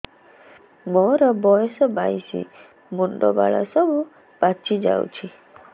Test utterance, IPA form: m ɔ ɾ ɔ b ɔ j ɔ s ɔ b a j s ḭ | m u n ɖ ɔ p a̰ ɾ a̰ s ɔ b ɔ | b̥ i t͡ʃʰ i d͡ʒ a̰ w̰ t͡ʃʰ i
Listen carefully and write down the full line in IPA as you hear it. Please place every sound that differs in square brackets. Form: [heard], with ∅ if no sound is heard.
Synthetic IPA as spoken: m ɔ ɾ ɔ b ɔ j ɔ s ɔ b a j s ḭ | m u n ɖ ɔ [b] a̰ [ɭ] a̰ s ɔ b [u] | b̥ [a] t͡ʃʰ i d͡ʒ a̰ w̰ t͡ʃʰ i